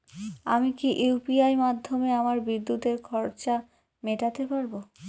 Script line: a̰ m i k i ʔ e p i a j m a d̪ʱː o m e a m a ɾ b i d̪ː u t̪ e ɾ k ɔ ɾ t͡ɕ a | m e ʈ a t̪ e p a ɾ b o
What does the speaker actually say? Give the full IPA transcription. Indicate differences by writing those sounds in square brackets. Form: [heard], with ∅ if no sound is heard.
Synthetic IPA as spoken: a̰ m i k i ʔ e p i a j m a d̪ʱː o m e a m a ɾ b i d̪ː u t̪ e ɾ [kʰ] ɔ ɾ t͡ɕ a | m e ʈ a t̪ e p a ɾ b o